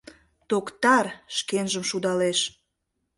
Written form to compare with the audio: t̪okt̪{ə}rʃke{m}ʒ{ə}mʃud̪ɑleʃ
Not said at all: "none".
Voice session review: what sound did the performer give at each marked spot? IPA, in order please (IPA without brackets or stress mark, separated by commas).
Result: ɑ, n, ə